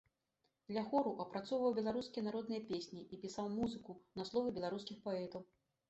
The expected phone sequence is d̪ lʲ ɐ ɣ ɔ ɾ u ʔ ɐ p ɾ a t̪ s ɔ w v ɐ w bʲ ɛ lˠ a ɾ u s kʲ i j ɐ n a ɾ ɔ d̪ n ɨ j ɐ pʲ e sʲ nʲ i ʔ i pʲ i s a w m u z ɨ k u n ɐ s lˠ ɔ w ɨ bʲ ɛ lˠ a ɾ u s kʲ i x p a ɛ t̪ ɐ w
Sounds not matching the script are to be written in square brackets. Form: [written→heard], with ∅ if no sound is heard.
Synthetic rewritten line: d̪ lʲ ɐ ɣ ɔ ɾ u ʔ ɐ p ɾ a t̪ s ɔ w v ɐ w bʲ ɛ lˠ a ɾ u s kʲ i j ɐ n a ɾ ɔ d̪ n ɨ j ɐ pʲ e sʲ nʲ i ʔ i pʲ i s a w m u z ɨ k u n ɐ s lˠ ɔ [w→v] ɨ bʲ ɛ lˠ a ɾ u s kʲ i x p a ɛ t̪ ɐ w